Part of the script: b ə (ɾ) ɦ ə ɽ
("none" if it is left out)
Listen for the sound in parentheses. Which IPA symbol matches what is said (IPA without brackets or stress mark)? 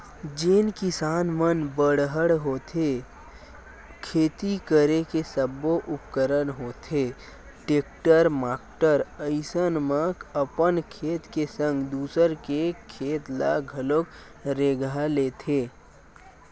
ɽ